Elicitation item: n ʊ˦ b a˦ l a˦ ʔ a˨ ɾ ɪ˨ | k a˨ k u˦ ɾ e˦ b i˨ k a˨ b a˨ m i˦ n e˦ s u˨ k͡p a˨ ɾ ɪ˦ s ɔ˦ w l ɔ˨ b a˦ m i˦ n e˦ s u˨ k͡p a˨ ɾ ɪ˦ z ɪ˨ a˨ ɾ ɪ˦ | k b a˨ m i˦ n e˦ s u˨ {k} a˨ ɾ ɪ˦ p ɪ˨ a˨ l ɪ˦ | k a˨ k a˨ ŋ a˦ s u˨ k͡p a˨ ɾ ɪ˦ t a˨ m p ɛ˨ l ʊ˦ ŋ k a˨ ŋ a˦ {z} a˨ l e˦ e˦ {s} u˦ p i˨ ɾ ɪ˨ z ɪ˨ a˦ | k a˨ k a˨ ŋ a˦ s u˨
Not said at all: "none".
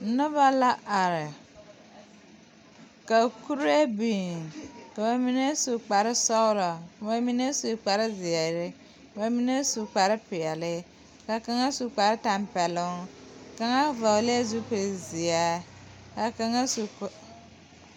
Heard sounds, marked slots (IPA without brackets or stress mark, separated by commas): k͡p, v, z